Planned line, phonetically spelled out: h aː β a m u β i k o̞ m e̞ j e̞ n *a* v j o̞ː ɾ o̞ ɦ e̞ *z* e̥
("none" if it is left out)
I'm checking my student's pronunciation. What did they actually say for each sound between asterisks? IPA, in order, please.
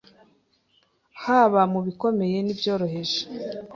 i, ʒ

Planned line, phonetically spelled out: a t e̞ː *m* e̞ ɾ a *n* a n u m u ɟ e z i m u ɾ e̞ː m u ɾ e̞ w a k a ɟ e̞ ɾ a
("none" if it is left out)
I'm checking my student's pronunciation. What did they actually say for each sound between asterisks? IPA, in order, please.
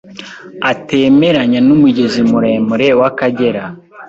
m, ɲ

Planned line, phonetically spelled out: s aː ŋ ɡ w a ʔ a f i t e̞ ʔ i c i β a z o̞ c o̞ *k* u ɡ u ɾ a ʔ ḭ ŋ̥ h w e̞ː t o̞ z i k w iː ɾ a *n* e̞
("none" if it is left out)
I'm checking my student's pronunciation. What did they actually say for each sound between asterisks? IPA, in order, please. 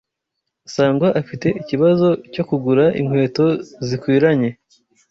k, ɲ

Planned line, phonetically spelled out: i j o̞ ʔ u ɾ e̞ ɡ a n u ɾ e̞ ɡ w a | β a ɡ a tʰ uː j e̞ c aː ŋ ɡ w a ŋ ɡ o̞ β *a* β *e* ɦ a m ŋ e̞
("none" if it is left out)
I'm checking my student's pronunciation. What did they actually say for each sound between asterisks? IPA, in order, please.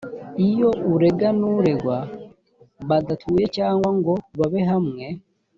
a, e

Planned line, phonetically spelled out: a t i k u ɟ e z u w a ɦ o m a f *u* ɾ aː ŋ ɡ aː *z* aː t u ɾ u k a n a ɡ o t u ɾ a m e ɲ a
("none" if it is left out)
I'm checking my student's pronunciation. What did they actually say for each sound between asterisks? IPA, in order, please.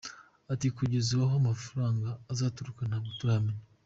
u, z

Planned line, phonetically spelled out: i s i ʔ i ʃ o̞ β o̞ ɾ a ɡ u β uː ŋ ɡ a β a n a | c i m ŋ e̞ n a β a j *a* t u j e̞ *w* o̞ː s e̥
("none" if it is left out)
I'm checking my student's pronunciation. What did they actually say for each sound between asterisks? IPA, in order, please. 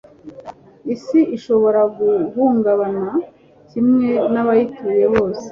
i, β

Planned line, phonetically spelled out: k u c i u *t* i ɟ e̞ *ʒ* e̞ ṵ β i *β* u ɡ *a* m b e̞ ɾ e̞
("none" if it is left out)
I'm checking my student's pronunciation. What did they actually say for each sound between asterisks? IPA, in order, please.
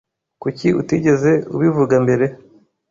t, z, v, a

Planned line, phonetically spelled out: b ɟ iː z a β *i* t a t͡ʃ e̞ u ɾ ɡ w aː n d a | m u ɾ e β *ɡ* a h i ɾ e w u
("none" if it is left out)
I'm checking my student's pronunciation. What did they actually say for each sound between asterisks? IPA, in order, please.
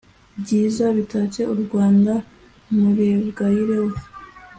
i, ɡ

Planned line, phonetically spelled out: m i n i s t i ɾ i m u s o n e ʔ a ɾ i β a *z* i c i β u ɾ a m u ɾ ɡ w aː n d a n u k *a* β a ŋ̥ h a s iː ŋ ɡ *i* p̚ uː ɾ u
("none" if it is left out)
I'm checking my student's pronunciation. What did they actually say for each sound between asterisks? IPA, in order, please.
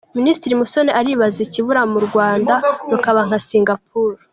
z, a, a

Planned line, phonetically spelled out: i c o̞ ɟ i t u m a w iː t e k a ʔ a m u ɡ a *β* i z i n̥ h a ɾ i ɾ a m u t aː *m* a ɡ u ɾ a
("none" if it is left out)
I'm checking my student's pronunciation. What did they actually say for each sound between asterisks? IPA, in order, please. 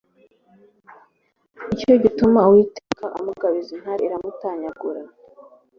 β, ɲ

